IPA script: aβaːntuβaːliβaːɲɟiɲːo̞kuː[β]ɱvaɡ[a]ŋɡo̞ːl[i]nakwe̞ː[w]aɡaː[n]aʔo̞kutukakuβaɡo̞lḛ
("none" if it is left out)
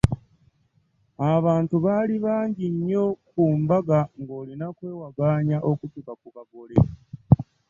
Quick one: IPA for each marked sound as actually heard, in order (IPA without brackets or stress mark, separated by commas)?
none, a, i, w, ɲ